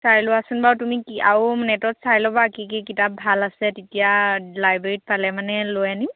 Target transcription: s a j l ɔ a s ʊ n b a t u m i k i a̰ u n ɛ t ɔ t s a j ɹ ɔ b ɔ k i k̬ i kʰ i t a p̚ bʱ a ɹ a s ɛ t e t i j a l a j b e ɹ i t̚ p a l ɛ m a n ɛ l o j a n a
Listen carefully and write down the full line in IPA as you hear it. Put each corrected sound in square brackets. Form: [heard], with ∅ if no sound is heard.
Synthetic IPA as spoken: s a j l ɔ a s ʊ n b a t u m i k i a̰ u n ɛ t ɔ t s a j [l] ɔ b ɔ k i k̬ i [k] i t a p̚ bʱ a [l] a s ɛ t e t i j a l a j b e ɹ i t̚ p a l ɛ m a n ɛ l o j a n [i]